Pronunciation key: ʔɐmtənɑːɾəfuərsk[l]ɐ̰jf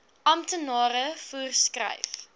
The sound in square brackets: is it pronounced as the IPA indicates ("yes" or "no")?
no